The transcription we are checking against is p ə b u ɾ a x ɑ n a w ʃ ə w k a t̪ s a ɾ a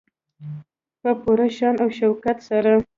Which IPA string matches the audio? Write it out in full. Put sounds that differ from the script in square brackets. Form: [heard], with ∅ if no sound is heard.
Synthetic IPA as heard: p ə [p] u ɾ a [ʃ] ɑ n a w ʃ [a] w k a t̪ s a ɾ a